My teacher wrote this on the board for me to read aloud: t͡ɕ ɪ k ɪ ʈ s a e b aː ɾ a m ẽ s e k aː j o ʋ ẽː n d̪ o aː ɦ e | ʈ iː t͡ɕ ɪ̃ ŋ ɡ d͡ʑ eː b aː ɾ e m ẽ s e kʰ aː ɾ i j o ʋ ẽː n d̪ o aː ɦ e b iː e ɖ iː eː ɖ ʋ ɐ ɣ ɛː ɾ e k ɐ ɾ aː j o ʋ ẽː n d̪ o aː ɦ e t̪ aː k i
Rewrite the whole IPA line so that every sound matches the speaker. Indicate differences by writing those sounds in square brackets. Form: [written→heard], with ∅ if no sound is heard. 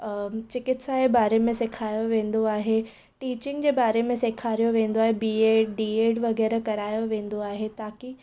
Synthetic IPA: t͡ɕ ɪ k ɪ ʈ s a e b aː ɾ [a→e] m ẽ s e [k→kʰ] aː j o ʋ ẽː n d̪ o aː ɦ e | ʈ iː t͡ɕ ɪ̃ ŋ ɡ d͡ʑ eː b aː ɾ e m ẽ s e kʰ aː ɾ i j o ʋ ẽː n d̪ o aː ɦ e b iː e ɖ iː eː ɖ ʋ ɐ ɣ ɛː ɾ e k ɐ ɾ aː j o ʋ ẽː n d̪ o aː ɦ e t̪ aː k i